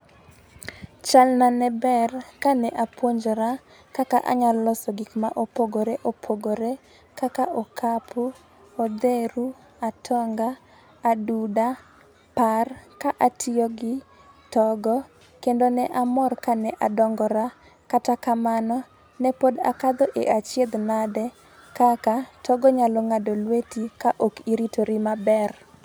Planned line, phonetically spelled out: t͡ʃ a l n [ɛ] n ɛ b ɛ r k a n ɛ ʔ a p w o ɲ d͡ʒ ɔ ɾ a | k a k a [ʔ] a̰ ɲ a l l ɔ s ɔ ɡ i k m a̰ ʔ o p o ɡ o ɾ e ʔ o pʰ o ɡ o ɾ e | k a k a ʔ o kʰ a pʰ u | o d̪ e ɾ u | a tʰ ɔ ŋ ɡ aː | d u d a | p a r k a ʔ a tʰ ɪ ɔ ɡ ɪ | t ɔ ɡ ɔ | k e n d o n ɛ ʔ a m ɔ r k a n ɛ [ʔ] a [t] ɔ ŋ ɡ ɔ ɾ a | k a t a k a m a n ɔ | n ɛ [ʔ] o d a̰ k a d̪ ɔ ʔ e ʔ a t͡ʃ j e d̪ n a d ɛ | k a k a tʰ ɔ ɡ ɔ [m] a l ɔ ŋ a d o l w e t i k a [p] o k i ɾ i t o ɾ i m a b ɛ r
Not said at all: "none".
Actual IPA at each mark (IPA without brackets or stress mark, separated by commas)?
a, ʔ, ʔ, d, p, ɲ, ʔ